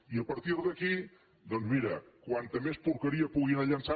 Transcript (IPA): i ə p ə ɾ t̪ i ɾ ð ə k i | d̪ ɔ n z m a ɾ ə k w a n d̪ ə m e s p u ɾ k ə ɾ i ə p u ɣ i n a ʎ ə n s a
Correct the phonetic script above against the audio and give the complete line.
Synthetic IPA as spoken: i ə p ə ɾ t̪ i ɾ ð ə k i | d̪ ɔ n z m i ɾ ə k w a n t̪ ə m e s p u ɾ k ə ɾ i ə p u ɣ i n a ʎ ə n s a